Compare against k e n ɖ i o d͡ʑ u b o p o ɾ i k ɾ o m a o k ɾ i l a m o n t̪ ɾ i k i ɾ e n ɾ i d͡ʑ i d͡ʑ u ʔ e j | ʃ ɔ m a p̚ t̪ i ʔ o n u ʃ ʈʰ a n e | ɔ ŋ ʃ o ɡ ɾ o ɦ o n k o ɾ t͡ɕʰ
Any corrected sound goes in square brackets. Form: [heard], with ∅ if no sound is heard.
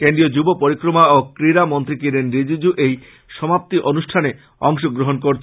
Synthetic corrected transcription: k e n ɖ i o d͡ʑ u b o p o ɾ i k ɾ o m a o k ɾ i [ɾ] a m o n t̪ ɾ i k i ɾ e n ɾ i d͡ʑ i d͡ʑ u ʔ e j | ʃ ɔ m a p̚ t̪ i ʔ o n u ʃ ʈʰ a n e | ɔ ŋ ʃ o ɡ ɾ o ɦ o n k o ɾ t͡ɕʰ